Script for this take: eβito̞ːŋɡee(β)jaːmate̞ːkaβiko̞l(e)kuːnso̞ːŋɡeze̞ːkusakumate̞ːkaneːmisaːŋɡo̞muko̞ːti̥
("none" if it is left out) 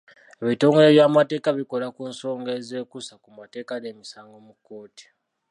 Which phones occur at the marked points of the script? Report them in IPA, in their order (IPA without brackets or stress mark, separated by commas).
β, a